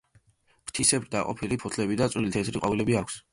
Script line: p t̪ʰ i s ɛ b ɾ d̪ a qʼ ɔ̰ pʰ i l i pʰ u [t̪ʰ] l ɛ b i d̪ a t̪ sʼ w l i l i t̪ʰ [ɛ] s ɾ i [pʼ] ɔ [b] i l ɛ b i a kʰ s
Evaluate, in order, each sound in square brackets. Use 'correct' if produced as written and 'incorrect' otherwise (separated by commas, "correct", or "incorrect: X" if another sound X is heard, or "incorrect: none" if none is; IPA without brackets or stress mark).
correct, correct, incorrect: qʼ, incorrect: v